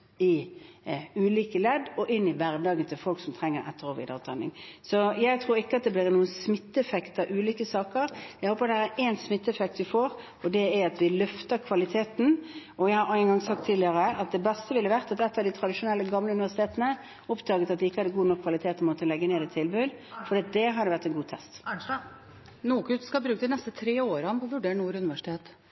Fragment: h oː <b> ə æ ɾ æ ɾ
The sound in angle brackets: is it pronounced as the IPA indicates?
no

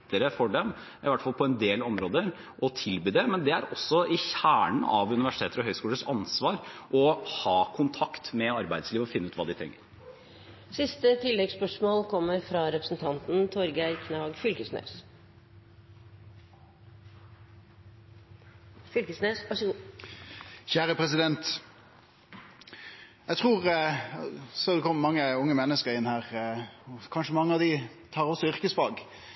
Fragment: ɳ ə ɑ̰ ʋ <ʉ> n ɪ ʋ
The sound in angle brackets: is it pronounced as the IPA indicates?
yes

